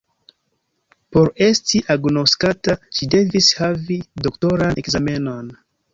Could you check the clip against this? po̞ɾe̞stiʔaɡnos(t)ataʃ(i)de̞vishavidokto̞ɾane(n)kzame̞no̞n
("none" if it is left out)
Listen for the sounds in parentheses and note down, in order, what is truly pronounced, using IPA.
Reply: k, i, none

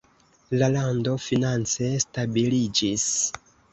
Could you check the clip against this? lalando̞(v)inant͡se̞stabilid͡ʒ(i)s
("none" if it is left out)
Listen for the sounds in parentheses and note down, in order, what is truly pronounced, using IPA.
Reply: f, i

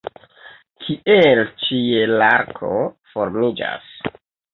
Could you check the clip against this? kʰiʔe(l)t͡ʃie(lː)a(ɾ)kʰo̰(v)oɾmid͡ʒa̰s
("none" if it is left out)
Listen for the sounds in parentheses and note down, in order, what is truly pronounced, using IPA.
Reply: l, l, ɾ, f

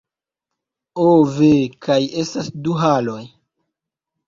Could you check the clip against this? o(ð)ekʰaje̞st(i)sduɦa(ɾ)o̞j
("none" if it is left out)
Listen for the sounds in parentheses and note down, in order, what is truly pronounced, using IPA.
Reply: v, a, l

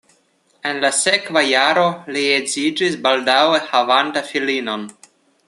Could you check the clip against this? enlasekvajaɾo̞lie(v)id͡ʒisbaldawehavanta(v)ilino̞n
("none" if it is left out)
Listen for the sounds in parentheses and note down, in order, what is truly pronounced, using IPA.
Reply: z, f

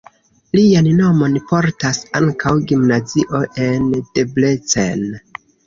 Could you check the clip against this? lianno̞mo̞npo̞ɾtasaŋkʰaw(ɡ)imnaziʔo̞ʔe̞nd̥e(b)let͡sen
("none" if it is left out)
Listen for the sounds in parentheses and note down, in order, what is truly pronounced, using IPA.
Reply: ɡ, b

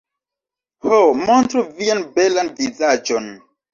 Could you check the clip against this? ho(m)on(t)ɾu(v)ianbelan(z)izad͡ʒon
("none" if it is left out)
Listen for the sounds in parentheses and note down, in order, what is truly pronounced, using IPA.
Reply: m, t, v, v

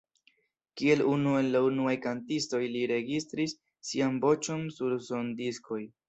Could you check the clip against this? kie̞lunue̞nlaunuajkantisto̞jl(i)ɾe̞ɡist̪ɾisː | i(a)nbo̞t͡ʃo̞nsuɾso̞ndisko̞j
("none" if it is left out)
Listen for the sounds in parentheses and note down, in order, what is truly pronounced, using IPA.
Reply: i, a

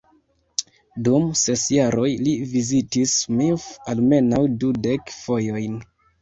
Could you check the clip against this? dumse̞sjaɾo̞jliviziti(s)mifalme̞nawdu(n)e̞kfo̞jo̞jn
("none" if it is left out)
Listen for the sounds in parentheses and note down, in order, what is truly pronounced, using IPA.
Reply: s, d

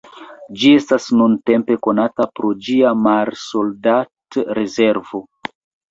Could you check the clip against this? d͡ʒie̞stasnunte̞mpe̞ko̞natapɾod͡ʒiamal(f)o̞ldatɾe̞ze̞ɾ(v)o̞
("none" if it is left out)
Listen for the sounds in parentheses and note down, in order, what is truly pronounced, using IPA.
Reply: s, v

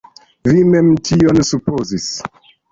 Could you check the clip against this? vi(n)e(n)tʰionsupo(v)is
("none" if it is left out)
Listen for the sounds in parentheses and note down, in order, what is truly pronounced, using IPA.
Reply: m, m, z

